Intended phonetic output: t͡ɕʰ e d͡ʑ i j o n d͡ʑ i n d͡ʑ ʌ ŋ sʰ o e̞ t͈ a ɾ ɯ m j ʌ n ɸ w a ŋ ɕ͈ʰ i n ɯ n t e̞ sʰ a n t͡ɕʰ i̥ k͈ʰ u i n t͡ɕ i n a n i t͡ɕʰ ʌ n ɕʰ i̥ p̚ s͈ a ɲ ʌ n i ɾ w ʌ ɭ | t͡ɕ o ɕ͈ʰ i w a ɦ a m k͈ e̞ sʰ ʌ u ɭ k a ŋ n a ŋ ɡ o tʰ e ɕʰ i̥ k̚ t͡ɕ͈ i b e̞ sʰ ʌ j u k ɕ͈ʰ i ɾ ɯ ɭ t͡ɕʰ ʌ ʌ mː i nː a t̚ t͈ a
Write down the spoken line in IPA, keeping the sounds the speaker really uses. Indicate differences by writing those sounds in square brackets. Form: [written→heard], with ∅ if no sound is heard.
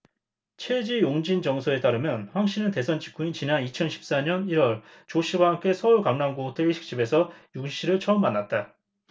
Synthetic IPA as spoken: t͡ɕʰ e d͡ʑ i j o [n→ŋ] d͡ʑ i n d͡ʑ ʌ ŋ sʰ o e̞ t͈ a ɾ ɯ m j ʌ n ɸ w a ŋ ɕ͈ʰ i n ɯ n t e̞ sʰ [a→ʌ] n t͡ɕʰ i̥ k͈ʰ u i n t͡ɕ i n a n i t͡ɕʰ ʌ n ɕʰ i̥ p̚ s͈ a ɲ ʌ n i ɾ w ʌ ɭ | t͡ɕ o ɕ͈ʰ i w a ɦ a m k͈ e̞ sʰ ʌ u ɭ k a ŋ n a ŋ ɡ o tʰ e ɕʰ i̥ k̚ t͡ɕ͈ i b e̞ sʰ ʌ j u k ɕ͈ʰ i ɾ ɯ ɭ t͡ɕʰ ʌ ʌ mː [i→a] nː a t̚ t͈ a